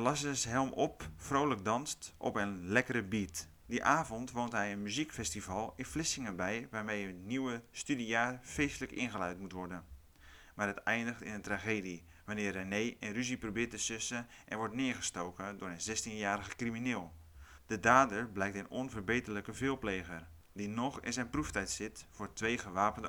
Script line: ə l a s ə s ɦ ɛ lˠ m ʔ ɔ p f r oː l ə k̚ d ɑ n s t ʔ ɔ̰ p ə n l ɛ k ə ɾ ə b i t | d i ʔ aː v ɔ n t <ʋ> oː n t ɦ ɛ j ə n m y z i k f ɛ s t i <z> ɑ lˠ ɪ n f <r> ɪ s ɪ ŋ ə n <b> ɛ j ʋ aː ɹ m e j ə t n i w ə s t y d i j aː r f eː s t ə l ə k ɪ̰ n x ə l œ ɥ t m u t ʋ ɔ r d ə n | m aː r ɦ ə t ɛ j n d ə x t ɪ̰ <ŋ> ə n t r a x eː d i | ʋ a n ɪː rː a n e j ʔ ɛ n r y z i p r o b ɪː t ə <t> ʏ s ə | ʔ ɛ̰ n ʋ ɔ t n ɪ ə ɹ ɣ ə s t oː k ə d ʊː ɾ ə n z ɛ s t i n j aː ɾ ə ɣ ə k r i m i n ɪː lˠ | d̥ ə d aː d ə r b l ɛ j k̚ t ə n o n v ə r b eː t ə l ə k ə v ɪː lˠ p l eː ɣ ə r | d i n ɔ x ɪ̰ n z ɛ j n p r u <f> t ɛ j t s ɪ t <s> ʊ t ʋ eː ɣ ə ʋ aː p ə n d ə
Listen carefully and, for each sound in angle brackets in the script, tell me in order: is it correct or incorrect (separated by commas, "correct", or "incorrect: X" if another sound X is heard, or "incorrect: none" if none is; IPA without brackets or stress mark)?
correct, incorrect: v, incorrect: l, correct, incorrect: n, incorrect: s, correct, incorrect: f